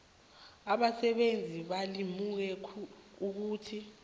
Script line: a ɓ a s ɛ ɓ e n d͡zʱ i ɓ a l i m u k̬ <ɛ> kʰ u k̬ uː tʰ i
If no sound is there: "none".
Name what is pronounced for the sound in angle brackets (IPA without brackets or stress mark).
ɛ